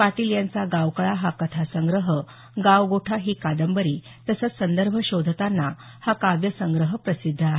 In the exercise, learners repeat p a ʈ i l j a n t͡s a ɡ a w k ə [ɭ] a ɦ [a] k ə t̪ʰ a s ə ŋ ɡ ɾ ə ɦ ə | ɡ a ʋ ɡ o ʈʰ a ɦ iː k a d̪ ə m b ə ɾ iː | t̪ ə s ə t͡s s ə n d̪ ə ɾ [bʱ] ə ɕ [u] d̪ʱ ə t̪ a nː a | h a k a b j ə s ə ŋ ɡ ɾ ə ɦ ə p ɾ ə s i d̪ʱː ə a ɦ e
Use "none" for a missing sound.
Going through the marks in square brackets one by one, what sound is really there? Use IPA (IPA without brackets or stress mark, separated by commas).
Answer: ɭ, a, bʱ, o